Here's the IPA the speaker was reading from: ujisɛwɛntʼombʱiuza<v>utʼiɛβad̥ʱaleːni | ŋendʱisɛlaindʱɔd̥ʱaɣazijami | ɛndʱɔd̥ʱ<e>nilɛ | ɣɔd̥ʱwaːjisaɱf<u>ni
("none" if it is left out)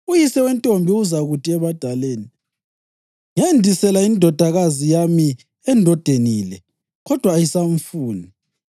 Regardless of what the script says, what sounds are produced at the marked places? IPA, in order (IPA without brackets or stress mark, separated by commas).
ɣ, e, uː